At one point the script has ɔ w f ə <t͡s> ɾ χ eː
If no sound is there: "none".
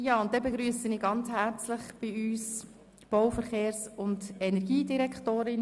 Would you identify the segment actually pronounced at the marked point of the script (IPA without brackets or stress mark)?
none